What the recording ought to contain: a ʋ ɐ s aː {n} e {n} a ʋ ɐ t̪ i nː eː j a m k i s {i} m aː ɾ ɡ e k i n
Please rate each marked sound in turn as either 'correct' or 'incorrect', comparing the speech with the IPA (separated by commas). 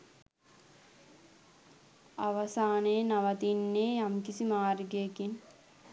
correct, correct, correct